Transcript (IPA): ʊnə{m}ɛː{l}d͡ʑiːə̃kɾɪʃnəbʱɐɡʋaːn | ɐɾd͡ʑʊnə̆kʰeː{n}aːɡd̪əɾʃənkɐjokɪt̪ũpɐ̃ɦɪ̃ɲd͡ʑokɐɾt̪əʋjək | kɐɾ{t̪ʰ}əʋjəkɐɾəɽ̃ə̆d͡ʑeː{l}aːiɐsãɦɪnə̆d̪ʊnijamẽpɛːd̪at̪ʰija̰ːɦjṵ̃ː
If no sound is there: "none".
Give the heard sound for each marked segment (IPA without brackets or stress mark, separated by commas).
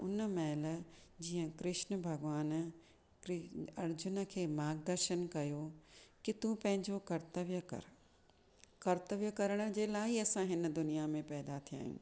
m, l, m, t̪, l